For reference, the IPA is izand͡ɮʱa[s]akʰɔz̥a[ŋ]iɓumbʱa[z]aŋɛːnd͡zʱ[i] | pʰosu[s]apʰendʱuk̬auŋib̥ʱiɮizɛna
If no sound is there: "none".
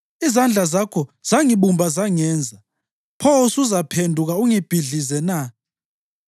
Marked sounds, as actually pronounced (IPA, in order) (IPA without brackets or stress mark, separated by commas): z, ŋ, z, a, z